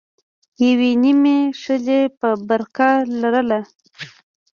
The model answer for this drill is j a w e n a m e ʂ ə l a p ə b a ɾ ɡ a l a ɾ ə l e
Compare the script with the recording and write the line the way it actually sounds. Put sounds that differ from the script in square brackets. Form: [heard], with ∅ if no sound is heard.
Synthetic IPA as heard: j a w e n [i] m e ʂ ə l [e] p ə b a ɾ [k] a l a ɾ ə l [a]